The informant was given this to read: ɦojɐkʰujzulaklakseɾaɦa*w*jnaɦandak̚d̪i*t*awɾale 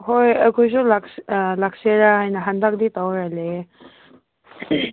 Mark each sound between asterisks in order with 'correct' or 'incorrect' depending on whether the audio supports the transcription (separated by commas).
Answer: incorrect, correct